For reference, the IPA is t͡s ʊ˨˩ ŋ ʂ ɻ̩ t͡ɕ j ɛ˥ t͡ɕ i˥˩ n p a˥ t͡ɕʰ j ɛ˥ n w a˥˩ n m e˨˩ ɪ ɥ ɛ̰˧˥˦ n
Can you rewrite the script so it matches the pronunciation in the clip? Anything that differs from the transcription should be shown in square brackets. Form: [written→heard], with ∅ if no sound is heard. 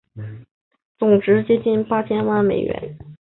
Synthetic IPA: t͡s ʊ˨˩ ŋ [ʂ→ʈ͡ʂ] ɻ̩ t͡ɕ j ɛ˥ t͡ɕ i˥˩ n p a˥ t͡ɕʰ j ɛ˥ n w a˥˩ n m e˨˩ ɪ ɥ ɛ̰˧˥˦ n